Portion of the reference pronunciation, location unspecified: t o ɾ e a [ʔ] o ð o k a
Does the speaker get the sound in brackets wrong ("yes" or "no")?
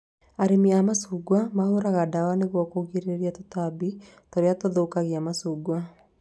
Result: yes